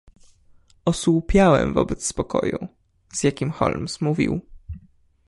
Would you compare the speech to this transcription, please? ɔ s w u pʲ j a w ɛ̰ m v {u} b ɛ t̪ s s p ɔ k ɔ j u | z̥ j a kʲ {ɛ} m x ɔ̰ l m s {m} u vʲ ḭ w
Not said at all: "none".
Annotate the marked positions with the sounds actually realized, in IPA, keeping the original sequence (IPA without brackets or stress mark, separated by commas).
ɔ, i, m